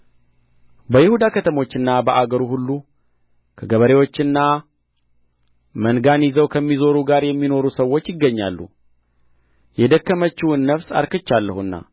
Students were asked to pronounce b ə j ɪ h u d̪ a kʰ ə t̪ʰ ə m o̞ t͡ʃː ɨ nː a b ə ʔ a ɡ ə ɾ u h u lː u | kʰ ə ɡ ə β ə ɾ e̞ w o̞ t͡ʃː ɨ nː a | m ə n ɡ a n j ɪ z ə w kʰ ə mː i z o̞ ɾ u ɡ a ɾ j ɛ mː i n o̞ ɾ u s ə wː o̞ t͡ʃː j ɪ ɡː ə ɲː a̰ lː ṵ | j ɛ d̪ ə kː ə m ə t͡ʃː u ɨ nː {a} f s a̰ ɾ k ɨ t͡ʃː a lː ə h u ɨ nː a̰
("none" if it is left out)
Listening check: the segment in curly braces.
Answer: ə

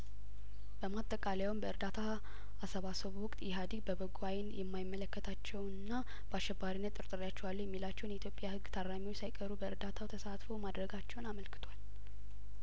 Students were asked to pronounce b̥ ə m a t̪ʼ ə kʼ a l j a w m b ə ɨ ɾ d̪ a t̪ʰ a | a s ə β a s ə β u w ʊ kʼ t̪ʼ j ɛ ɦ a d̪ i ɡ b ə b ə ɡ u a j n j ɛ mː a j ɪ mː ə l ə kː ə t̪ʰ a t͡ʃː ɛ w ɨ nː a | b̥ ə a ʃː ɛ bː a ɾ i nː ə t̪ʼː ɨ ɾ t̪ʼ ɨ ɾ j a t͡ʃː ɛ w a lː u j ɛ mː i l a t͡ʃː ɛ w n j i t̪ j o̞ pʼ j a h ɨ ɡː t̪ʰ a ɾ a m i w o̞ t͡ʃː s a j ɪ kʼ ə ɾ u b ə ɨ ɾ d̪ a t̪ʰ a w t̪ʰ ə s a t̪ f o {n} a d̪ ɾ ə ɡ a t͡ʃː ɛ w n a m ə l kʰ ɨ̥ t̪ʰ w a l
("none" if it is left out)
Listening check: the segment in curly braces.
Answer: m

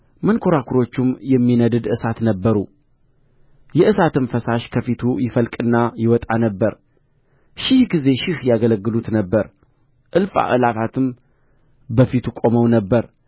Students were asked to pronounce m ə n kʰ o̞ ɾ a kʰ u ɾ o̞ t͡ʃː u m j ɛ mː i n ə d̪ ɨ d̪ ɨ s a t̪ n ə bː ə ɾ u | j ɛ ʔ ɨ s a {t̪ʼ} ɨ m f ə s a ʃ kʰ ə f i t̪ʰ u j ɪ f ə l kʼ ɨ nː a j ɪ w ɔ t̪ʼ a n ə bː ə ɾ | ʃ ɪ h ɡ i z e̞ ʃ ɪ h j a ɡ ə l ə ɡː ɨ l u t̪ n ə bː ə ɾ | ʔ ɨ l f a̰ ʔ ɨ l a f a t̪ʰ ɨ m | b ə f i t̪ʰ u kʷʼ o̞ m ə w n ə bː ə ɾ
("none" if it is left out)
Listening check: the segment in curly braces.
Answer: t̪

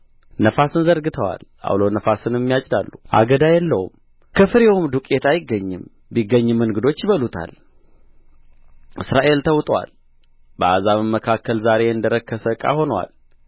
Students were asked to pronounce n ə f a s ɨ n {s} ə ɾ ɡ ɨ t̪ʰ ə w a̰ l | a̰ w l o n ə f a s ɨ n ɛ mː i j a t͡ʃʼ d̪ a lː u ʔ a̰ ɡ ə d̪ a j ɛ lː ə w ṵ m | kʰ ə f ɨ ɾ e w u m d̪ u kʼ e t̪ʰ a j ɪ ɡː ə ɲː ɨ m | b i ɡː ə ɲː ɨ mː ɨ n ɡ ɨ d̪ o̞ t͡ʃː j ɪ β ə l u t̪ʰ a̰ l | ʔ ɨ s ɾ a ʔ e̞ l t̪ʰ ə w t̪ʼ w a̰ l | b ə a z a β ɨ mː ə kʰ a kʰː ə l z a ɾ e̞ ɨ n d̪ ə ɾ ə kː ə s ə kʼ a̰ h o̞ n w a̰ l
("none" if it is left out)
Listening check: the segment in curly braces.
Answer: z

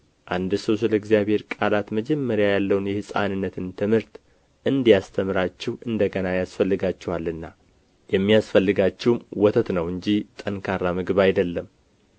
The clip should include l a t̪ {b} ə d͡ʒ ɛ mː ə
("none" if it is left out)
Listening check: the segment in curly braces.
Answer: m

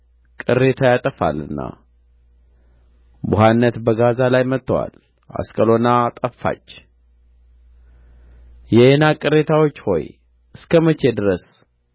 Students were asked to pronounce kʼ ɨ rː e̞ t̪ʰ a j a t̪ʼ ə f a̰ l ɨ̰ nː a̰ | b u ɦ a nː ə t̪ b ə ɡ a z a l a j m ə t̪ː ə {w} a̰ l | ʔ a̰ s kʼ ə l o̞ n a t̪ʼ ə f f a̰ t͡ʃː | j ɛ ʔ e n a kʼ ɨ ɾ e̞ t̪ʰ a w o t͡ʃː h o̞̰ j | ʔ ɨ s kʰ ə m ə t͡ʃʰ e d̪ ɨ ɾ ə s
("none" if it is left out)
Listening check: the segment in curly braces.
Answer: w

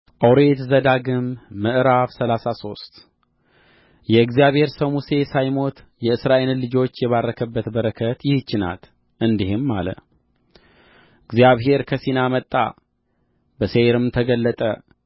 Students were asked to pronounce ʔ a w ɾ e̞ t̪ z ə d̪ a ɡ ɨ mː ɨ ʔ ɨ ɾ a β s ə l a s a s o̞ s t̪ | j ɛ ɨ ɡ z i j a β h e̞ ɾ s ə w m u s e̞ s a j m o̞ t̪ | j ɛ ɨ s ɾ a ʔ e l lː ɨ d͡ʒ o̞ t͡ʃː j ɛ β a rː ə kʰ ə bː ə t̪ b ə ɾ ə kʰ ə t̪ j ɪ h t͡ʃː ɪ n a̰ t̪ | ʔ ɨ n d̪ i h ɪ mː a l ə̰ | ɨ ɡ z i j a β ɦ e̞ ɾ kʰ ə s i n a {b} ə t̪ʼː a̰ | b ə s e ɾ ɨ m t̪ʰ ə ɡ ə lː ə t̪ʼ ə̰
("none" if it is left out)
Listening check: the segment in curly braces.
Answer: m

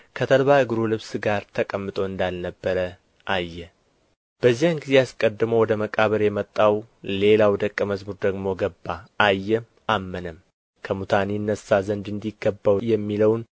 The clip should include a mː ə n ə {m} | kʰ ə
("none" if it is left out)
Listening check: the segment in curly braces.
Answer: m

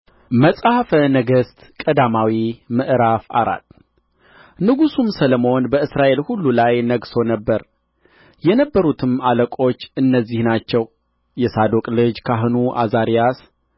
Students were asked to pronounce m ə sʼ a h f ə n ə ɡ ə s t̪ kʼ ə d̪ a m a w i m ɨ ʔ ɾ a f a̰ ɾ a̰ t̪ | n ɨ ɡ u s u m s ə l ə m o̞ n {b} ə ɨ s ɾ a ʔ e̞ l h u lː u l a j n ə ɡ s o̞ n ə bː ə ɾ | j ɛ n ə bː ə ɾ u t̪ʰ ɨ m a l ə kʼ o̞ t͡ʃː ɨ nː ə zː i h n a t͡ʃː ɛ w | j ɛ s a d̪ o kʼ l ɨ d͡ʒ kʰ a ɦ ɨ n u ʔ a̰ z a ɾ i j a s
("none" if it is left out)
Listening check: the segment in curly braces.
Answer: b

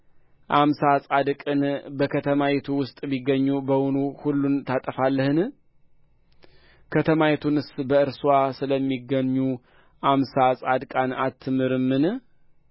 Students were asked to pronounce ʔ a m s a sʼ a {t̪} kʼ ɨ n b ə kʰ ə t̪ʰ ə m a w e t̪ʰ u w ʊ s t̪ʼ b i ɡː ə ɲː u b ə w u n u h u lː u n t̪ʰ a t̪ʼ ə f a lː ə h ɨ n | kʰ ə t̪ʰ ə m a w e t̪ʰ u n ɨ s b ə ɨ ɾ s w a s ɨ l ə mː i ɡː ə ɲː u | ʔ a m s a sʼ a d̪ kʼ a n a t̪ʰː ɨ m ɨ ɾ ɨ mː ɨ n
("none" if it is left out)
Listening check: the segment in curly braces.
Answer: d̪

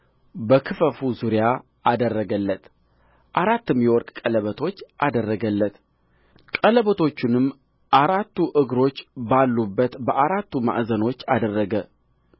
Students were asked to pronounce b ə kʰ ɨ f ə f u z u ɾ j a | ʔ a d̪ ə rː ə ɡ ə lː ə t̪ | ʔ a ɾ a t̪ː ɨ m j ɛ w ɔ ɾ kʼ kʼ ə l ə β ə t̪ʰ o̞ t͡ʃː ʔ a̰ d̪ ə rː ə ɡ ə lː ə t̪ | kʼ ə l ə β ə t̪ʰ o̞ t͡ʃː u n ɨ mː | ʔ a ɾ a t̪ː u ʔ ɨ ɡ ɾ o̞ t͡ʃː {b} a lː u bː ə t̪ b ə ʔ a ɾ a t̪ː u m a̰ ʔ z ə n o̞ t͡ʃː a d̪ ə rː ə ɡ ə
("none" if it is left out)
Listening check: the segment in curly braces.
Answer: b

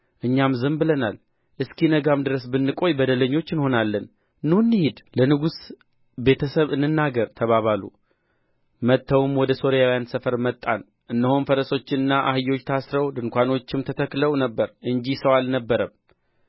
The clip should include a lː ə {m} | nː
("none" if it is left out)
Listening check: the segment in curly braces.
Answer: n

